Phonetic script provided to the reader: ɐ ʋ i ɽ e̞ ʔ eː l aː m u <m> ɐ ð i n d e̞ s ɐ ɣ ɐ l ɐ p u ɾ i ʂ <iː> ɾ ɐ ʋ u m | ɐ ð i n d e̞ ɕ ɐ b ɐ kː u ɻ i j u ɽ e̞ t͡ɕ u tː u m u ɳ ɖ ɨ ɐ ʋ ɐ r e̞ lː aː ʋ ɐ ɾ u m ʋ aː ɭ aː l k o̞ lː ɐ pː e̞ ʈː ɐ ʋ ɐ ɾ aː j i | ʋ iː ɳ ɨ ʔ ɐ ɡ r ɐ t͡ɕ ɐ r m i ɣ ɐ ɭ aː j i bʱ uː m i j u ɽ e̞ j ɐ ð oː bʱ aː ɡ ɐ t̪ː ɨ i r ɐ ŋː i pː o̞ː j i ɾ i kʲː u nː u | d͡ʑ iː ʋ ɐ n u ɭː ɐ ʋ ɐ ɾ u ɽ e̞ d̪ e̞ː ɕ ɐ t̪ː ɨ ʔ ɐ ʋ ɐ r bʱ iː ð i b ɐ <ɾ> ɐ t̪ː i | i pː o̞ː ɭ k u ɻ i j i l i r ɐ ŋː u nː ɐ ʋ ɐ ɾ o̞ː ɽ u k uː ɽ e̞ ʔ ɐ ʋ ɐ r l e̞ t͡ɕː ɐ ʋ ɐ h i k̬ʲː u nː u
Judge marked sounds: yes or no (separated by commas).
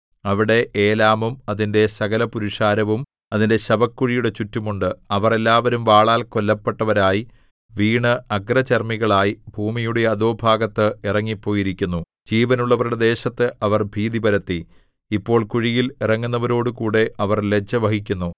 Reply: yes, no, yes